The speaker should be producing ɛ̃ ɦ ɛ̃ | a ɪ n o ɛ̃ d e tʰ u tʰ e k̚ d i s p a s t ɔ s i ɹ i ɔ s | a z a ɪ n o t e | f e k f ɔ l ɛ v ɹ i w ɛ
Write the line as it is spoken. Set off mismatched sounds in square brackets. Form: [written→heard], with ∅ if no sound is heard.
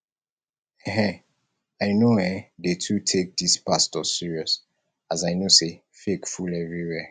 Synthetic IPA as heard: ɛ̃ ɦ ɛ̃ | a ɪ n o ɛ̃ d e tʰ u tʰ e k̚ d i s p a s t ɔ s i ɹ i ɔ s | a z a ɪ n o [t→s] e | f e k f [ɔ→u] l ɛ v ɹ i w ɛ